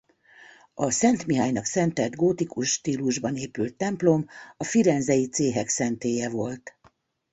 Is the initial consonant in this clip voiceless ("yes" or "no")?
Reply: yes